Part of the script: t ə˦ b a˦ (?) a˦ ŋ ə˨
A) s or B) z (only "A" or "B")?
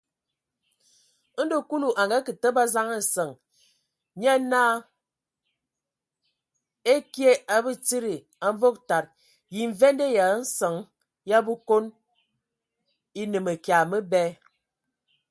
B